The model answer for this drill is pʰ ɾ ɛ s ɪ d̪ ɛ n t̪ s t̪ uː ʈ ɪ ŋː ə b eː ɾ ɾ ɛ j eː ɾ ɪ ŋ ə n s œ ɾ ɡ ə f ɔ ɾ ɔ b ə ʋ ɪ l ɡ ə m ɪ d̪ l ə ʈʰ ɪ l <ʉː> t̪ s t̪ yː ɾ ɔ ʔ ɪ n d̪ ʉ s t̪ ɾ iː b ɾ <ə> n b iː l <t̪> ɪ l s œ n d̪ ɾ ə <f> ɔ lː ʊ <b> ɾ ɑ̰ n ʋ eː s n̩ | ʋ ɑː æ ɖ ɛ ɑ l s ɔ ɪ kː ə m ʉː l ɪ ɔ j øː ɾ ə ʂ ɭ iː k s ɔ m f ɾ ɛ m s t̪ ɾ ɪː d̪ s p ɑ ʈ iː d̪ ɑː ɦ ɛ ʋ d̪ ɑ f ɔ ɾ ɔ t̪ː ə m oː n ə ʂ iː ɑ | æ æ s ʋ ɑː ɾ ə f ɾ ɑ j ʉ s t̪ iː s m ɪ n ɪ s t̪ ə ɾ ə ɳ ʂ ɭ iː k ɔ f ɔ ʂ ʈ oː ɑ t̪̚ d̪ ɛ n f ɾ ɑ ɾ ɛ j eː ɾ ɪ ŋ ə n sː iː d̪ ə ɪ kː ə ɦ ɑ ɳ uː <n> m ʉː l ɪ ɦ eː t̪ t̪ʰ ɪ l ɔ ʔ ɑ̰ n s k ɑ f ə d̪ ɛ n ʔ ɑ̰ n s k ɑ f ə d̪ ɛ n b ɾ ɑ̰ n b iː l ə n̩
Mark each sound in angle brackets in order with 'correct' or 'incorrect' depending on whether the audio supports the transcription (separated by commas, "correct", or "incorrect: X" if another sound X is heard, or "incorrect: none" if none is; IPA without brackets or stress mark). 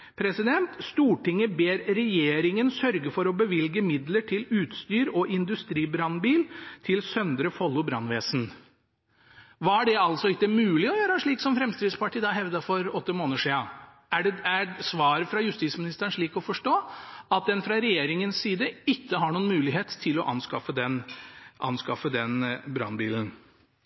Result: correct, incorrect: ɑ, incorrect: t̪ʰ, correct, correct, correct